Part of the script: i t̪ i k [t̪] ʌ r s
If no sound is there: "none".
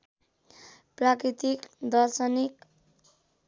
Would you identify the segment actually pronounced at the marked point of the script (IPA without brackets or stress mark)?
d̪